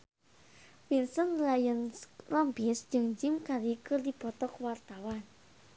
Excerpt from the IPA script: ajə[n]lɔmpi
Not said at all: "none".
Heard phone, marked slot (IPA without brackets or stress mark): n